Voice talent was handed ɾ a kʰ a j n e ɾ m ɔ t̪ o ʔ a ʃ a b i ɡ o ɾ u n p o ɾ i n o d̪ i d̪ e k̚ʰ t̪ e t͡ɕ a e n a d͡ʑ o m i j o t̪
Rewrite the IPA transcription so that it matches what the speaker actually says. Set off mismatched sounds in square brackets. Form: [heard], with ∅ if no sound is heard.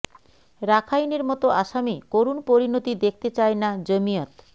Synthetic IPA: ɾ a kʰ a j n e ɾ m ɔ t̪ o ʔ a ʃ a [m] i [k] o ɾ u n p o ɾ i n o [t̪] i d̪ e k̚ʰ t̪ e t͡ɕ a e n a d͡ʑ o m i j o t̪